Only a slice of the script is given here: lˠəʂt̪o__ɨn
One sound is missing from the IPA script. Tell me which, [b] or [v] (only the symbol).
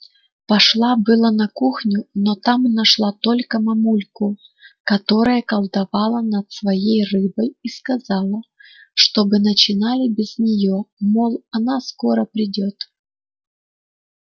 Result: b